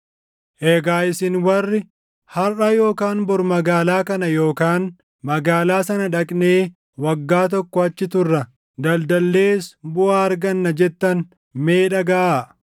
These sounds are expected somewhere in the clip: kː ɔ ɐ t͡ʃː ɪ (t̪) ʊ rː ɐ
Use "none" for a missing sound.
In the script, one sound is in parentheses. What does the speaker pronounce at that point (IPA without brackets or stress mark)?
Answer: t̪